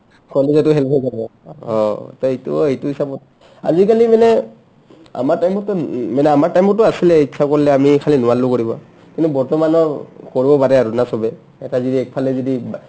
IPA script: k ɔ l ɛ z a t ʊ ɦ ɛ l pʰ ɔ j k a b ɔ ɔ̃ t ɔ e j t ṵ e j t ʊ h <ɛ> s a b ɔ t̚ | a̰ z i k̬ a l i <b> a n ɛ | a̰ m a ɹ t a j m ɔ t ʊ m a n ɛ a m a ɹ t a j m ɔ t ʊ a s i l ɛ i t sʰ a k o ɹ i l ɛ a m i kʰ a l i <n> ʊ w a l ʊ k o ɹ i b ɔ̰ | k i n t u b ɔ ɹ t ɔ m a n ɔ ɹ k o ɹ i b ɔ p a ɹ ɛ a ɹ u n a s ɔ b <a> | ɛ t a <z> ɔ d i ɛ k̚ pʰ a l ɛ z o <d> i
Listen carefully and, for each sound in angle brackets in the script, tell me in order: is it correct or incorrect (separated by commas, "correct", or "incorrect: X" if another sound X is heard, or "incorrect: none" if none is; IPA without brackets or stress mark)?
incorrect: i, incorrect: m, correct, incorrect: ɛ, correct, correct